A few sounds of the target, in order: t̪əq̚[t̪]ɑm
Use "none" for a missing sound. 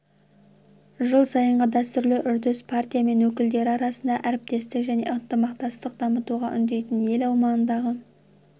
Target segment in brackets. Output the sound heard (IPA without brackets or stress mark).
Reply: d̪